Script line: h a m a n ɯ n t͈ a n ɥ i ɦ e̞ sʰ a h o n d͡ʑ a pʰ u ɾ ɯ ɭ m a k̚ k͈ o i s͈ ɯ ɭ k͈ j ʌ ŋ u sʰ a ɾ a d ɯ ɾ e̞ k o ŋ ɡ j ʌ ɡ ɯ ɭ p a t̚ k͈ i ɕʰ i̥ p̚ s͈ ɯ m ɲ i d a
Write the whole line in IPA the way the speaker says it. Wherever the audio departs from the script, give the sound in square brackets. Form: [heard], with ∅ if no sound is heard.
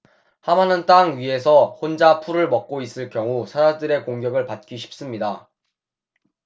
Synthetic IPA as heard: h a m a n ɯ n t͈ a [ŋ] ɥ i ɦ e̞ sʰ [ʌ] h o n d͡ʑ a pʰ u ɾ ɯ ɭ m [ʌ] k̚ k͈ o i s͈ ɯ ɭ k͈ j ʌ ŋ u sʰ a ɾ a d ɯ ɾ e̞ k o ŋ ɡ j ʌ ɡ ɯ ɭ p a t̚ k͈ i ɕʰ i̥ p̚ s͈ ɯ m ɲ i d a